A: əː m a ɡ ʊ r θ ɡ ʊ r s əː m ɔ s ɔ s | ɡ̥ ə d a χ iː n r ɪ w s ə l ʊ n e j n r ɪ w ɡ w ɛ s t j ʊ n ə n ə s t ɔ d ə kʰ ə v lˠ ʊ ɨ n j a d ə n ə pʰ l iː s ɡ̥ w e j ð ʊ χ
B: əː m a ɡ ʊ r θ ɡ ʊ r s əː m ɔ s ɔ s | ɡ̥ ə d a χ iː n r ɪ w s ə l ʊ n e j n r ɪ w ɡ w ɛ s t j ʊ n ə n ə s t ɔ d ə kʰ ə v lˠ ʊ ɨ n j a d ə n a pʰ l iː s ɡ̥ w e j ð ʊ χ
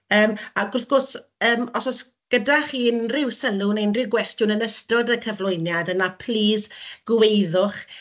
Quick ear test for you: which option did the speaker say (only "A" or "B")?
B